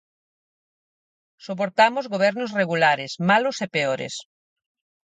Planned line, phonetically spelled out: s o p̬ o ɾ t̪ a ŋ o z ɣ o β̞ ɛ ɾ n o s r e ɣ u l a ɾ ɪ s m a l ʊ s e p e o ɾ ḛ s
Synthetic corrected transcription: s o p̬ o ɾ t̪ a m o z ɣ o β̞ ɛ ɾ n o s r e ɣ u l a ɾ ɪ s m a l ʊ s e p e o ɾ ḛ s